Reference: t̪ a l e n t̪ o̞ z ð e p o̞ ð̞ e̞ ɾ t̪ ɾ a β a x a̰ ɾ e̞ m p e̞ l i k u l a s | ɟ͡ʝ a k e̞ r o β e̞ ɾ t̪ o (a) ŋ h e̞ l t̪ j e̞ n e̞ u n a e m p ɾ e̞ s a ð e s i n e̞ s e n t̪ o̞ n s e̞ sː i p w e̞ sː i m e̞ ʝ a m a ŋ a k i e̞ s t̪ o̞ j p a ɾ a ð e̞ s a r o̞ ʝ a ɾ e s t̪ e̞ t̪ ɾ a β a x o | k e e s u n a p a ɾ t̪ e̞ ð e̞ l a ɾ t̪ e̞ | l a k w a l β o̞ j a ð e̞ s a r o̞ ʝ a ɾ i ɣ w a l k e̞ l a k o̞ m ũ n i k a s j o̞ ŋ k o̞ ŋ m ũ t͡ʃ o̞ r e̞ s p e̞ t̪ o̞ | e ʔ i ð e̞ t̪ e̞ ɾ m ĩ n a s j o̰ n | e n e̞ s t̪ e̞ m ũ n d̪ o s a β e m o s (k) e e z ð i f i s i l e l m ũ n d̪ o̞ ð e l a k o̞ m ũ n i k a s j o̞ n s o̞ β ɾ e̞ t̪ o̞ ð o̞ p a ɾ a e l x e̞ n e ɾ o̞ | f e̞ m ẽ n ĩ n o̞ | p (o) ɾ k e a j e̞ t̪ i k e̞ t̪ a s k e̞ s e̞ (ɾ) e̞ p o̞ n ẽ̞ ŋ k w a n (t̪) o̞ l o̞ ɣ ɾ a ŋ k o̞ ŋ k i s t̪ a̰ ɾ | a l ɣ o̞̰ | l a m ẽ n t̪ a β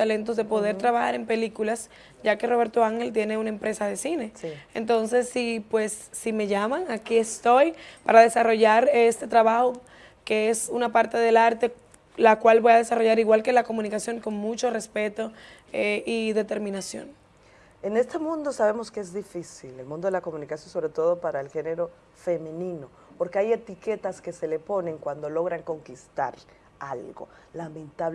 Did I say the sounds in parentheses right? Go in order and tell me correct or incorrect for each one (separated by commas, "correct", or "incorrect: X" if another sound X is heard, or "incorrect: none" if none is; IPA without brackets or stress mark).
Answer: correct, correct, correct, incorrect: l, incorrect: d̪